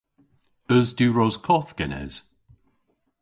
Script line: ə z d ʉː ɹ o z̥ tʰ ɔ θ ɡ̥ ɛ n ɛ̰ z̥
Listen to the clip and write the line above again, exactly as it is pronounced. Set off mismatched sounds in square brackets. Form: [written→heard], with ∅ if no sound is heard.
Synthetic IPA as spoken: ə z d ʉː ɹ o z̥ [tʰ→kʰ] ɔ θ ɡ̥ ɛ n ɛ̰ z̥